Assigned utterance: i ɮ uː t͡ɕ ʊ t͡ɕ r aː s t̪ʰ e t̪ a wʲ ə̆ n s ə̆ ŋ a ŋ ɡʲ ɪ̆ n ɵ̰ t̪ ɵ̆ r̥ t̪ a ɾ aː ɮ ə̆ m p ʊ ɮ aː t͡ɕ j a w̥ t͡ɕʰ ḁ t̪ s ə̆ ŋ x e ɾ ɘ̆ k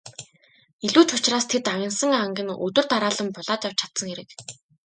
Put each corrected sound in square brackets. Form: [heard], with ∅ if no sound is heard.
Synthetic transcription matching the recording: i ɮ uː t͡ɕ ʊ t͡ɕ r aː s t̪ʰ e t̪ a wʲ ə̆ n s ə̆ ŋ a ŋ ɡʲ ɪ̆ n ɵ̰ t̪ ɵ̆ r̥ t̪ a ɾ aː ɮ ə̆ m p ʊ ɮ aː t͡ɕ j a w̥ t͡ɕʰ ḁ t̪ s ə̆ ŋ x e ɾ ɘ̆ k